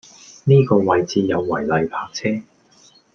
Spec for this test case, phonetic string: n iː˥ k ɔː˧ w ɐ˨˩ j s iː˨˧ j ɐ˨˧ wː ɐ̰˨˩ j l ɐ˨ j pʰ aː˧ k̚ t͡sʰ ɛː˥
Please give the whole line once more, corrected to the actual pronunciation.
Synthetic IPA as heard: n iː˥ k ɔː˧ w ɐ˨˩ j t͡s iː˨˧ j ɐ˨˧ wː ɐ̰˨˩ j l ɐ˨ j pʰ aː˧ k̚ t͡sʰ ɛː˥

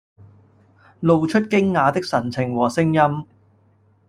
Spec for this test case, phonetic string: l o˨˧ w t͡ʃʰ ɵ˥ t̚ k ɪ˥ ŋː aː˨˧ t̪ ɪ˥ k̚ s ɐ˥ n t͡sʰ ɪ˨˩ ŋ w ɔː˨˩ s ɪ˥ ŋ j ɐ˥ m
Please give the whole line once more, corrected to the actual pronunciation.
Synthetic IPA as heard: l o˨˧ w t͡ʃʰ ɵ˥ t̚ k ɪ˥ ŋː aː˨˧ t̪ ɪ˥ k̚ s ɐ˨˩ n t͡sʰ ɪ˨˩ ŋ w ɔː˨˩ s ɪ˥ ŋ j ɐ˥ m

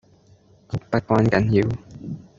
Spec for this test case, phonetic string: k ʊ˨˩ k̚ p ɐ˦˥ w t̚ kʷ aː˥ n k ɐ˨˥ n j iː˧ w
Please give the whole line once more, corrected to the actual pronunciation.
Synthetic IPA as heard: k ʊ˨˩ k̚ p ɐ˦˥ t̚ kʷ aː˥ n k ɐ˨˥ n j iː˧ w

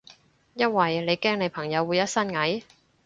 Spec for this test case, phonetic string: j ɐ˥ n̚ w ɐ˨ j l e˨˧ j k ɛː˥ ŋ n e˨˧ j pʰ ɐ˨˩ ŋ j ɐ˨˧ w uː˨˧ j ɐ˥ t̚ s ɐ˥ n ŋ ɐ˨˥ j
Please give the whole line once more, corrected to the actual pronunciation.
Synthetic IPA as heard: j ɐ˥ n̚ w ɐ˨ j l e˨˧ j k ɛː˥ ŋ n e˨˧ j pʰ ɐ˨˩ ŋ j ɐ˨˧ w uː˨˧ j ɐ˥ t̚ s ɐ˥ n ŋ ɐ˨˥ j

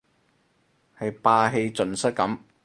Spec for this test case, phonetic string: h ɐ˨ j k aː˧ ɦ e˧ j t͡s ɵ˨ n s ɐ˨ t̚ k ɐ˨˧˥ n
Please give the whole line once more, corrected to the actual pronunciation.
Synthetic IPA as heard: h ɐ˨ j p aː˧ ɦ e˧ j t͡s ɵ˨ n s ɐ˥ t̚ k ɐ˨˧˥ m

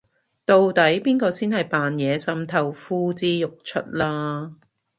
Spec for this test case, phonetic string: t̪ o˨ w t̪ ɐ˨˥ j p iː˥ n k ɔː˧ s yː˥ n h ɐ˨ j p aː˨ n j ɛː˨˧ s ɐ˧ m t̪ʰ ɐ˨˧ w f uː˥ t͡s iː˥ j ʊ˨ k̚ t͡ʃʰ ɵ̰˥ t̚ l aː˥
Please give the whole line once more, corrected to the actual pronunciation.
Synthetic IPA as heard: t̪ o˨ w t̪ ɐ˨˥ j p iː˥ n k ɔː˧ s iː˥ n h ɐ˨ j p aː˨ n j ɛː˨˧ s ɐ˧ m t̪ʰ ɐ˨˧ w f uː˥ t͡s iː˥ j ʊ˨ k̚ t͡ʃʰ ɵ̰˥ t̚ l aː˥

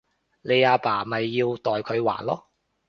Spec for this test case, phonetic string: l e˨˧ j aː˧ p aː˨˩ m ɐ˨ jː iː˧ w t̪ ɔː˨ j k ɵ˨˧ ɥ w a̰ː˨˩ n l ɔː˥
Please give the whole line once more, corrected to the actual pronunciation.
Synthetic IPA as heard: l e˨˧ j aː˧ p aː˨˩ m ɐ˨ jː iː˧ w t̪ ɔː˨ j kʰ ɵ˨˧ ɥ w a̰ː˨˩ n l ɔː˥

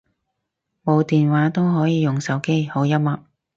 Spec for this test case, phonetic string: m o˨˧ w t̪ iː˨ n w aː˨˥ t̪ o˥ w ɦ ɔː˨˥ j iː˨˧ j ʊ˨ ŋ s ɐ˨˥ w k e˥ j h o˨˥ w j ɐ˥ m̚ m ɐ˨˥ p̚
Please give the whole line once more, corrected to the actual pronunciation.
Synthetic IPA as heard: m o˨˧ w t̪ iː˨ n w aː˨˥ t̪ o˥ w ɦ ɔː˨˥ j iː˨˧ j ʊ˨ ŋ s ɐ˨˥ w k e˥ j h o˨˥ w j ɐ˥ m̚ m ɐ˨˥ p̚

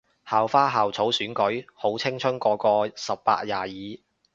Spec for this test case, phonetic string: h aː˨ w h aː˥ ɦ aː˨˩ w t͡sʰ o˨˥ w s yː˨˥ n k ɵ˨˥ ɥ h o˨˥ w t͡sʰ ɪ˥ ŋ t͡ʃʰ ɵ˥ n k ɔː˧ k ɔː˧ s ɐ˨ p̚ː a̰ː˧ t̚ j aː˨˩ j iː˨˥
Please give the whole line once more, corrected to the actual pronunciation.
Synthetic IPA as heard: h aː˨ w f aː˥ ɦ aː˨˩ w t͡sʰ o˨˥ w s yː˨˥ n k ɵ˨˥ ɥ h o˨˥ w t͡sʰ ɪ˥ ŋ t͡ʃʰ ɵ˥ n k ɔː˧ k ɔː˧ s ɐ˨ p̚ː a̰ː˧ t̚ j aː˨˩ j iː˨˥

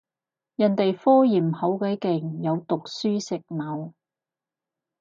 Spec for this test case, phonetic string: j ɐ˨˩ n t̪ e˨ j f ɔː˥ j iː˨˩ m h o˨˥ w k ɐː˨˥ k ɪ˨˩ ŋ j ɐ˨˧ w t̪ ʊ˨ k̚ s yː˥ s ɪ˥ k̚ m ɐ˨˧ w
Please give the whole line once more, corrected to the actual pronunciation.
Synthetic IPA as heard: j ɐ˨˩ n t̪ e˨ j f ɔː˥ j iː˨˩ m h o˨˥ w k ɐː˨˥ k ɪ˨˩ ŋ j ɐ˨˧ w t̪ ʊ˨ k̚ s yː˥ s ɪ˨ k̚ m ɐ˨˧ w

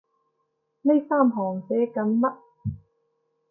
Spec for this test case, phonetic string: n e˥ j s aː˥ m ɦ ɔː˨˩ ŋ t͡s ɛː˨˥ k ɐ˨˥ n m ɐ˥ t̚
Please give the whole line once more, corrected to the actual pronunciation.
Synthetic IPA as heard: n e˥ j s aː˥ m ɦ ɔː˨˩ ŋ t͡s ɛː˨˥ k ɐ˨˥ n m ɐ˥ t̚

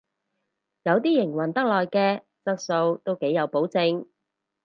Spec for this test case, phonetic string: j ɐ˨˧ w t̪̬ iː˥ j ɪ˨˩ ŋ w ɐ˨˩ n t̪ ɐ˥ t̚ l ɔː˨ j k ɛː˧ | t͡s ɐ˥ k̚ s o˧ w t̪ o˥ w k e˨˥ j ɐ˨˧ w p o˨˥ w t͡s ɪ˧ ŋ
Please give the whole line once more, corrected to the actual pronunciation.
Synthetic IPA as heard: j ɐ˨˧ w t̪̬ iː˥ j ɪ˨˩ ŋ w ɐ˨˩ n t̪ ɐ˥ k̚ l ɔː˨ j k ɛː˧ | t͡s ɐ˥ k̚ s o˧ w t̪ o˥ w k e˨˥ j ɐ˨˧ w p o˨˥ w t͡s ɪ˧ ŋ

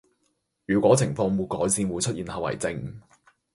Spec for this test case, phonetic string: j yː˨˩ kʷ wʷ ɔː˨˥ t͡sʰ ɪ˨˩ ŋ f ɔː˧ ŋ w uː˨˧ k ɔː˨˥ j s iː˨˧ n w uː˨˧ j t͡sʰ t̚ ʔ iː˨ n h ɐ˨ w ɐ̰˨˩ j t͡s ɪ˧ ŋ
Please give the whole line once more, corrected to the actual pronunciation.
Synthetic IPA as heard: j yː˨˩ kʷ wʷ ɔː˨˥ t͡sʰ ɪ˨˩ ŋ f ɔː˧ ŋ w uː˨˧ k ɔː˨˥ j s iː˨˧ n w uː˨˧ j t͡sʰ t̚ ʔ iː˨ n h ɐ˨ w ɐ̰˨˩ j t͡s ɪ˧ ŋ

